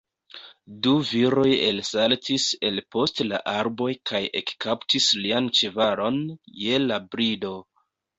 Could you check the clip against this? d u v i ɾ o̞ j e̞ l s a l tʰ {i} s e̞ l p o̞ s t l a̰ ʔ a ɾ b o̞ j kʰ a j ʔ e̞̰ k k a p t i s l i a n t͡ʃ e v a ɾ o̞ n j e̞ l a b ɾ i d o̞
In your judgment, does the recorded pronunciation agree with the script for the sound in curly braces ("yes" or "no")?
yes